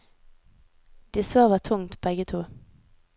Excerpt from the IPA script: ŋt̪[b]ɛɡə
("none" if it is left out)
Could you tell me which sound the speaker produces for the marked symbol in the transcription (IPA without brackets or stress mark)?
b